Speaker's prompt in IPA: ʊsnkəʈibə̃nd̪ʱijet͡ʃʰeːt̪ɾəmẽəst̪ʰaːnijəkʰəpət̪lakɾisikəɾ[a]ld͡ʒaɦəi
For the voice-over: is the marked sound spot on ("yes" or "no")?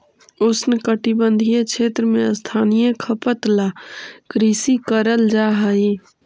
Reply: no